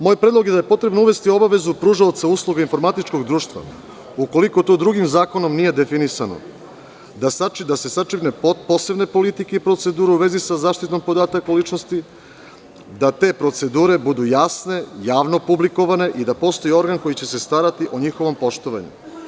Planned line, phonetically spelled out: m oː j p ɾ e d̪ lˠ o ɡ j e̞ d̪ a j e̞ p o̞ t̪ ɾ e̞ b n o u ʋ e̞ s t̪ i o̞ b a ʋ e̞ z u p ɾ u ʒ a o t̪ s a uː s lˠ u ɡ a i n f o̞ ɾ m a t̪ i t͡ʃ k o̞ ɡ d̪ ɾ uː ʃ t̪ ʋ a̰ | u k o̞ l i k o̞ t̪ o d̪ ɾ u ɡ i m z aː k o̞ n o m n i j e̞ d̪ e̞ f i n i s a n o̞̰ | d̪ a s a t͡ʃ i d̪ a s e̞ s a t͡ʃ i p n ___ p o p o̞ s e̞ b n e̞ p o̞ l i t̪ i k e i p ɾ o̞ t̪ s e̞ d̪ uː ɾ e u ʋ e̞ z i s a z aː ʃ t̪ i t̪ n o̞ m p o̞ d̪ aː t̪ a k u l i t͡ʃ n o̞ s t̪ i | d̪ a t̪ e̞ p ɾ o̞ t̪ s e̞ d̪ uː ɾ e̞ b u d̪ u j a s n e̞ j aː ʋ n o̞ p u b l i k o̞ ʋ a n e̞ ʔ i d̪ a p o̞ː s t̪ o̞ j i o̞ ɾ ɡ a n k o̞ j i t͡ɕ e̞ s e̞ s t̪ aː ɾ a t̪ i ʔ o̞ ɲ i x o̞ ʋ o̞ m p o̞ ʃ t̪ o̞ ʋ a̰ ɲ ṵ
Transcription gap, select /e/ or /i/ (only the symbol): e